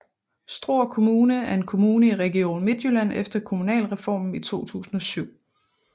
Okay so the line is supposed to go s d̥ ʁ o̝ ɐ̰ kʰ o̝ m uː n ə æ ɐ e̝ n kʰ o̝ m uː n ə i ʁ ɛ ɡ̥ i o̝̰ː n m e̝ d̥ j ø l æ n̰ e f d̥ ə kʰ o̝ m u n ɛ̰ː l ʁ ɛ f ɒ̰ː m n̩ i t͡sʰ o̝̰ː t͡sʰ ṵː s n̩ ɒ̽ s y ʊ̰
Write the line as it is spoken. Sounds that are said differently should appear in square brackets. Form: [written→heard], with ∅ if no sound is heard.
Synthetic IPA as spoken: s d̥ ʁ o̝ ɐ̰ kʰ o̝ m uː n ə æ ɐ e̝ n kʰ o̝ m uː n ə i ʁ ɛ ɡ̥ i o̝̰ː n m e̝ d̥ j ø l æ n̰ e f d̥ [ə→ɐ] kʰ o̝ m u n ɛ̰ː l ʁ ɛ f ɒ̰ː m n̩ i t͡sʰ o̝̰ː t͡sʰ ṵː s n̩ ɒ̽ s y ʊ̰